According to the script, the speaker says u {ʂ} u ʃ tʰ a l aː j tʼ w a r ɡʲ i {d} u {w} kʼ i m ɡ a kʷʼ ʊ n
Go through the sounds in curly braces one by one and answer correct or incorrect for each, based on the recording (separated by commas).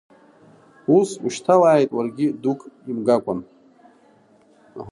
incorrect, correct, incorrect